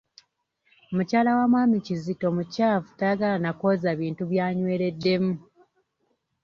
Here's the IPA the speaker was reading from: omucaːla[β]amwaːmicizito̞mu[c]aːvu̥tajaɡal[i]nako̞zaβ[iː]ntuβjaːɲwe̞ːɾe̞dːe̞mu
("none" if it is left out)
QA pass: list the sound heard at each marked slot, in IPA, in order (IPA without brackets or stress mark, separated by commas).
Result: w, c, a, iː